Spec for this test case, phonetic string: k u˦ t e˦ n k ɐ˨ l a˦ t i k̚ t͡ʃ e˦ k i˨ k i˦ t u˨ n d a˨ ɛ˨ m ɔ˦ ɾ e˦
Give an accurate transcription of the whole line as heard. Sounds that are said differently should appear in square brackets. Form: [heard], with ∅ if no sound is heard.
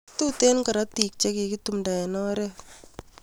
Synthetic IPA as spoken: [t] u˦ t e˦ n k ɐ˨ [ɾ] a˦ t i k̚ t͡ʃ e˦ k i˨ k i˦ t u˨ [m] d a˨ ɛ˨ [n] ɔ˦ ɾ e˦